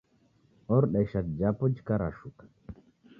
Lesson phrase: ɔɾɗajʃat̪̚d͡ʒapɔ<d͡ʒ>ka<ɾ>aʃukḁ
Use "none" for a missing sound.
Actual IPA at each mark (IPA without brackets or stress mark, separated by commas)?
d͡ʒ, ɾ